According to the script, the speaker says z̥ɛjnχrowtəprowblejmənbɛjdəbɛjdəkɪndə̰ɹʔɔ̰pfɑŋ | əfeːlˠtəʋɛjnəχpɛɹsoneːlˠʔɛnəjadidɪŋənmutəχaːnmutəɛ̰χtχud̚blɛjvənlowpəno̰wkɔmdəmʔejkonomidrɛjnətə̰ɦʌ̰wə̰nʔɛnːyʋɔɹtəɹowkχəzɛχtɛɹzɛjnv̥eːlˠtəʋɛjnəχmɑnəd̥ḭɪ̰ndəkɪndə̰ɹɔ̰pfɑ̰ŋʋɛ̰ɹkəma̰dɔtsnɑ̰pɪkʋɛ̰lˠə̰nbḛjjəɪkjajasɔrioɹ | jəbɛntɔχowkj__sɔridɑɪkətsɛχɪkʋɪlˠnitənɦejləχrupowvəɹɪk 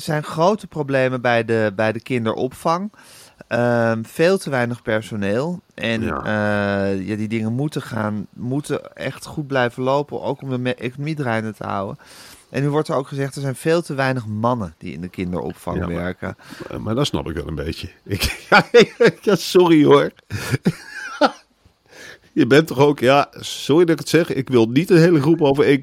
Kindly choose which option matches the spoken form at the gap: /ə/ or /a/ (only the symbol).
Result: a